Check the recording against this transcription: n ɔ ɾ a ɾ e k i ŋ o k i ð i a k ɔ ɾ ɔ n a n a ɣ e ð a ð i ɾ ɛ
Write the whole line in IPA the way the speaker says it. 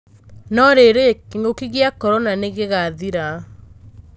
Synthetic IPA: n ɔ ɾ e ɾ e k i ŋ o k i ɣ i a k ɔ ɾ ɔ n a n e ɣ e ɣ a ð i ɾ a

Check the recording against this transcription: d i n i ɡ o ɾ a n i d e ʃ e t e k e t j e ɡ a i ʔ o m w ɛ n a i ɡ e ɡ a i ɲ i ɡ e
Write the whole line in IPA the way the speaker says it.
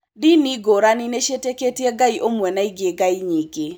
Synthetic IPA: d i n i ɡ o ɾ a n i n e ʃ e t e k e t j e ɡ a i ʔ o m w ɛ n a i ɡ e ɡ a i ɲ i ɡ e

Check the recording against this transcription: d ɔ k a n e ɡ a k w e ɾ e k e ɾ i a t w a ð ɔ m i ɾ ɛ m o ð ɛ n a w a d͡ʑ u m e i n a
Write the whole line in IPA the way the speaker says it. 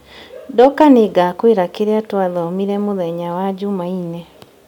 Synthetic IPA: d ɔ k a n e ɡ a k w e ɾ a k e ɾ e a t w a ð ɔ m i ɾ ɛ m o ð ɛ ɲ a w a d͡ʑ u m a i n ɛ

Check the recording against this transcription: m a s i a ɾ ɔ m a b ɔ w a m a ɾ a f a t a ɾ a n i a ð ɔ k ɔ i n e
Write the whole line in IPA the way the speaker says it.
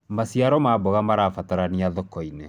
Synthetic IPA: m a s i a ɾ ɔ m a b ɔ ɣ a m a ɾ a f a t a ɾ a n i a ð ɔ k ɔ i n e

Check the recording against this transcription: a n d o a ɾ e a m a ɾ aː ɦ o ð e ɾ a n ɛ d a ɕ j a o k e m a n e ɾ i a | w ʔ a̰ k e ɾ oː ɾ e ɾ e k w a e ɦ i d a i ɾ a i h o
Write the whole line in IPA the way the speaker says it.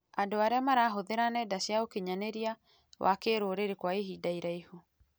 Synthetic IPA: a n d o a ɾ e a m a ɾ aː ɦ o ð e ɾ a n ɛ d a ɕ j a o k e ɲ a n e ɾ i a | w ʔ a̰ k e ɾ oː ɾ e ɾ e k w a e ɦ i d a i ɾ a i h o

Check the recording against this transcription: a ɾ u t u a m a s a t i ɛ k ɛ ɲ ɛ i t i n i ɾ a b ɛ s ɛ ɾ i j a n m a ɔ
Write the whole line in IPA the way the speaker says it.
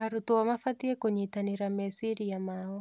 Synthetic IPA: a ɾ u t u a m a f a t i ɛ k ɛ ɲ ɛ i t a n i ɾ a m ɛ s i ɾ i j a m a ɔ

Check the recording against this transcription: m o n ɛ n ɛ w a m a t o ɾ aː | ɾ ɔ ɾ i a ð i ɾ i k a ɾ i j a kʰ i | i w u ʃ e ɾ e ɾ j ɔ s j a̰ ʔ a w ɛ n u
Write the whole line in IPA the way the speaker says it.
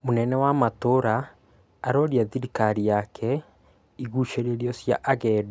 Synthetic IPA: m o n ɛ n ɛ w a m a t o ɾ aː | ɾ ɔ ɾ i a ð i ɾ i k a ɾ i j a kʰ ɛ | i ɣ u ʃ e ɾ e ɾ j ɔ s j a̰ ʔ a ɣ ɛ d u

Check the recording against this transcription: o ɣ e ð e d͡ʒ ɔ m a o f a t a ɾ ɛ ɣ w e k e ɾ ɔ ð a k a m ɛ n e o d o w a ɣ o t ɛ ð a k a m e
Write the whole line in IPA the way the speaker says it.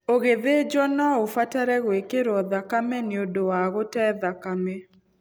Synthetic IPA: o ɣ e ð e d͡ʒ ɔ n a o f a t a ɾ ɛ ɣ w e k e ɾ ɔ ð a k a m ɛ n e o d o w a ɣ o t ɛ ð a k a m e

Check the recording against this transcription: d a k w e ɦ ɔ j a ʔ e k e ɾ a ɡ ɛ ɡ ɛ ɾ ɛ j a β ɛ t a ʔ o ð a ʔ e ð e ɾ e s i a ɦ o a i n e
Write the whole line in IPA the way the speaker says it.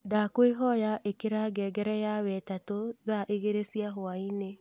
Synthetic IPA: d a k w e ɦ ɔ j a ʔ e k e ɾ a ɡ ɛ ɡ ɛ ɾ ɛ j a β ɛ t a t o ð a ʔ e ɣ e ɾ e s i a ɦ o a i n e

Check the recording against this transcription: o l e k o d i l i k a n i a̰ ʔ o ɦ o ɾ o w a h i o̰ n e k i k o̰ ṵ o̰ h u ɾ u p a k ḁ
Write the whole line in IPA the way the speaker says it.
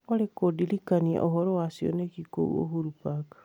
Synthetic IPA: o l e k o d i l i k a n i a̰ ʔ o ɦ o ɾ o w a s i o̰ n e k i k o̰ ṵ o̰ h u ɾ u p a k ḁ

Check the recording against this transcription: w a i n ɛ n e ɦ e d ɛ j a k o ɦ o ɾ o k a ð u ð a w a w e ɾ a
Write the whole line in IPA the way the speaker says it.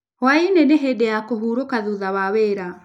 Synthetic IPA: w a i n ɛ n e ɦ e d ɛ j a k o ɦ u ɾ o k a ð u ð a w a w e ɾ a

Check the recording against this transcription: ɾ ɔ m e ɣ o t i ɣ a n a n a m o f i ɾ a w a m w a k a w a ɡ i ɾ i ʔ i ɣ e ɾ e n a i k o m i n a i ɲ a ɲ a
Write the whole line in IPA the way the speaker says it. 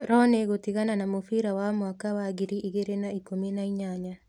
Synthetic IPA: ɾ ɔ n e ɣ o t i ɣ a n a n a m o f i ɾ a w a m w a k a w a ɡ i ɾ i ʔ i ɣ e ɾ e n a i k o m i n a i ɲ a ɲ a

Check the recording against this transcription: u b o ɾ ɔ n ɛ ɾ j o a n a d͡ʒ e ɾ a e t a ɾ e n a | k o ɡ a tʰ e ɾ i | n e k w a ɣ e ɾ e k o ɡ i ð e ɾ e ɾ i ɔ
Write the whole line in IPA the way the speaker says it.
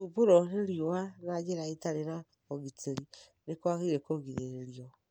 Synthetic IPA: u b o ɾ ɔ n e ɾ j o a n a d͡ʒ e ɾ a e t a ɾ e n a | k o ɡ i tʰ e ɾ i | n e k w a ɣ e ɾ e k o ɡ i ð e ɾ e ɾ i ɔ

